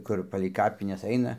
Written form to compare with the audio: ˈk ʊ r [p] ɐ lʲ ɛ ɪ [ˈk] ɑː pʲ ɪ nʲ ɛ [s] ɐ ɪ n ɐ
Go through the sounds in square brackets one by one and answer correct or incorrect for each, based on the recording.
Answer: correct, correct, correct

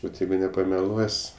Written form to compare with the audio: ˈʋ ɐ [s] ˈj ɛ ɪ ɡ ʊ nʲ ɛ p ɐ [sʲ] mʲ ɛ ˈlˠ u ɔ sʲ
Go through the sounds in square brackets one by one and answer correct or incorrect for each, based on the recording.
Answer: incorrect, incorrect

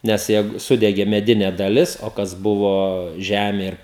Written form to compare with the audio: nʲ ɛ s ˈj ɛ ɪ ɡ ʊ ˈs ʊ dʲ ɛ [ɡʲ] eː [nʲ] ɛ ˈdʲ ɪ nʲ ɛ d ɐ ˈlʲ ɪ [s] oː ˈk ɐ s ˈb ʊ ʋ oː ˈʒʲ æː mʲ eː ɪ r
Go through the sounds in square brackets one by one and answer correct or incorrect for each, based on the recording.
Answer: correct, incorrect, correct

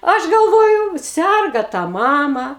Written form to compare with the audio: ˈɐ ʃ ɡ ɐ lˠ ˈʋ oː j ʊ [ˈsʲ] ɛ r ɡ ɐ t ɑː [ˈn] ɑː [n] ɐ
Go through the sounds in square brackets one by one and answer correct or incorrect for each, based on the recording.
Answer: correct, incorrect, incorrect

